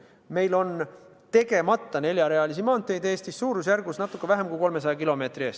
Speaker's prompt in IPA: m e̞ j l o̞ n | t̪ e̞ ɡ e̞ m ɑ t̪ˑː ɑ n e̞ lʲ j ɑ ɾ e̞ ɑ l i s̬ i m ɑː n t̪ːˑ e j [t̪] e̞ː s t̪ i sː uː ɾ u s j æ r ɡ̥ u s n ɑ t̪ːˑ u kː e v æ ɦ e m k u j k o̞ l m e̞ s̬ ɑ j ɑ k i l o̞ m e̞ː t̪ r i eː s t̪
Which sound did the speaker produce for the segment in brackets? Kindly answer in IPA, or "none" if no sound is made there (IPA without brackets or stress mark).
d̪